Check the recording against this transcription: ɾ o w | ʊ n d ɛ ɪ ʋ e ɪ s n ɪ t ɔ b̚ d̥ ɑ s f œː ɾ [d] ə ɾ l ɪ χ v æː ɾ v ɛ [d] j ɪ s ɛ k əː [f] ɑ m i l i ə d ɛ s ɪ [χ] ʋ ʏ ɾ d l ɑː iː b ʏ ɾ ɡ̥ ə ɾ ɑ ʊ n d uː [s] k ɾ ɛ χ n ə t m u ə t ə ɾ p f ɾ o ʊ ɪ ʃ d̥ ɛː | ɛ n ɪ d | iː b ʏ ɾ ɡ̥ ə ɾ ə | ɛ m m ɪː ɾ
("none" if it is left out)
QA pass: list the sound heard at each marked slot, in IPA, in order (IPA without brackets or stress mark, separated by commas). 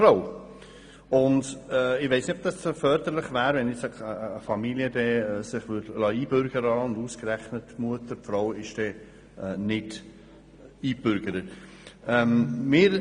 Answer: d, n, f, χ, s